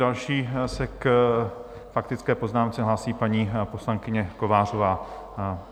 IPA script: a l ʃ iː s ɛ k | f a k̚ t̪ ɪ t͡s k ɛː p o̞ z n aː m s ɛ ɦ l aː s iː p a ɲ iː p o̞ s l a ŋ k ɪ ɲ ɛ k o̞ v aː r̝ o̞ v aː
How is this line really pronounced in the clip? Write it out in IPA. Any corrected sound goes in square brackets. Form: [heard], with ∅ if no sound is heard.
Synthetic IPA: a l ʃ iː s ɛ k | f a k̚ t̪ ɪ t͡s k ɛː p o̞ z n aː m [t͡s] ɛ ɦ l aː s iː p a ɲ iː p o̞ s l a ŋ k ɪ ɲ ɛ k o̞ v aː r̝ o̞ v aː